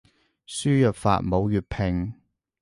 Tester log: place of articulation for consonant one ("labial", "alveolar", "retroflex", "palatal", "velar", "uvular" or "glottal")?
alveolar